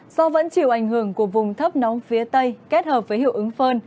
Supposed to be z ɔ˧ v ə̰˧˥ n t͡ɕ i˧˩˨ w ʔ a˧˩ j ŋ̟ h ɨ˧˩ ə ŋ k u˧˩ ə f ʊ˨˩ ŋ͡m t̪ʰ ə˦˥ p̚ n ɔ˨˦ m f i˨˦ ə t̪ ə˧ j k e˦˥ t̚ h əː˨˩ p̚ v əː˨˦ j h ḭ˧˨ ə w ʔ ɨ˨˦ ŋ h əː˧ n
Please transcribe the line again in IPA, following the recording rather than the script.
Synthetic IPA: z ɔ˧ v ə̰˧˥ n t͡ɕ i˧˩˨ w ʔ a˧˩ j ŋ̟ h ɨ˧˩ ə ŋ k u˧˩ ə v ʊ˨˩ ŋ͡m t̪ʰ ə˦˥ p̚ n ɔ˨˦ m f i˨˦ ə t̪ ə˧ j k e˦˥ t̚ h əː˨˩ p̚ v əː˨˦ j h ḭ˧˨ ə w ʔ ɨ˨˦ ŋ f əː˧ n